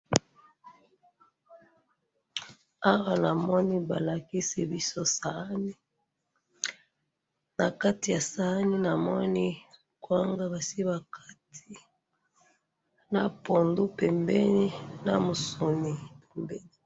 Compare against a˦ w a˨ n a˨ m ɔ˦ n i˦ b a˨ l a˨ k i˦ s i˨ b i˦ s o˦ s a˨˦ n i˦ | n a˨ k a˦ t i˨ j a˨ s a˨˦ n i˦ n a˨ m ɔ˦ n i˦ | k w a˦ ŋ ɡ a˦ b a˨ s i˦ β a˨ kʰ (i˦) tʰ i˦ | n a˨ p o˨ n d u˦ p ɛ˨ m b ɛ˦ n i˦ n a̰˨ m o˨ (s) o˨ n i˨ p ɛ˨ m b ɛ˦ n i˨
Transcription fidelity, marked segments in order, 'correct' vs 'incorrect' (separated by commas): incorrect, correct